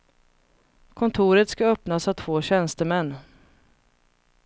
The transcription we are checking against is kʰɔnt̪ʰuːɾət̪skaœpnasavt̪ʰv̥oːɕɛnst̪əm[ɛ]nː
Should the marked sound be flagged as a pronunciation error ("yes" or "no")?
no